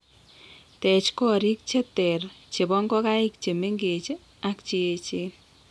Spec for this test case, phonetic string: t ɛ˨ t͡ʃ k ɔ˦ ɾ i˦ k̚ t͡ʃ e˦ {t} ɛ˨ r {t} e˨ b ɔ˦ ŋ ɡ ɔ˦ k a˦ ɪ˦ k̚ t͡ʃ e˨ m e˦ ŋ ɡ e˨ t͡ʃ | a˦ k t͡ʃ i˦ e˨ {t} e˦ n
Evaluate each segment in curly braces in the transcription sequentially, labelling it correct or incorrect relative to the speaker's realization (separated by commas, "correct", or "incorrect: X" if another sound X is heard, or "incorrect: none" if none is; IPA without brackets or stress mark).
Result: correct, incorrect: t͡ʃ, incorrect: t͡ʃ